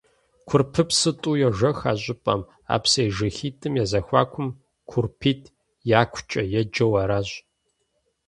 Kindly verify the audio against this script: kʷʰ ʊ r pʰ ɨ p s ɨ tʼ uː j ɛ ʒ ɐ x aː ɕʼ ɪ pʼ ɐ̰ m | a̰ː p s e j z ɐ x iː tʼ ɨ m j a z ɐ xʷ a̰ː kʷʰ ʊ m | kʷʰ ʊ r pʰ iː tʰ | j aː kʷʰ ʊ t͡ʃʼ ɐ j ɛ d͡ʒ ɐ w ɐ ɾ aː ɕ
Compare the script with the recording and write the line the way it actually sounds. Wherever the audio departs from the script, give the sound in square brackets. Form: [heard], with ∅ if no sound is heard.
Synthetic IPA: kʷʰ ʊ r pʰ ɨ p s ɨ tʼ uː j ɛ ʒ ɐ x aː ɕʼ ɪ pʼ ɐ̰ m | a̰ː p s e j [ʒ] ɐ x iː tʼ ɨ m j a z ɐ xʷ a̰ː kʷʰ ʊ m | kʷʰ ʊ r pʰ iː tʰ | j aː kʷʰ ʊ t͡ʃʼ ɐ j ɛ d͡ʒ ɐ w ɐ ɾ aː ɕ